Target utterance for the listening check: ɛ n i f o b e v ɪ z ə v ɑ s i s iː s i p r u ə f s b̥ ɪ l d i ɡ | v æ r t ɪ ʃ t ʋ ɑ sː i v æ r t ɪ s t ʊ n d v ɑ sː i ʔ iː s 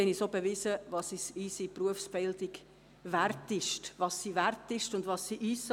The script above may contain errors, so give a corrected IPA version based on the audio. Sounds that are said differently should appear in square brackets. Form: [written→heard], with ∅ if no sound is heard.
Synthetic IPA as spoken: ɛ n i [f→s] o b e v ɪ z ə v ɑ s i s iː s i p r u ə f s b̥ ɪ l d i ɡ | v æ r t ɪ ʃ t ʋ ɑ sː i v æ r t ɪ [s→ʃ] t ʊ n d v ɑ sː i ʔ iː s